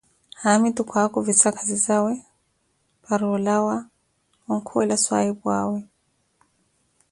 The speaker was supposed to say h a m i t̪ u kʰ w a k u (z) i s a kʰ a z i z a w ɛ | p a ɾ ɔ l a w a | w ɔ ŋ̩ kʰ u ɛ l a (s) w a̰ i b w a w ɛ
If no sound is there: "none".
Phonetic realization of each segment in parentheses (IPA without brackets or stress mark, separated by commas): v, s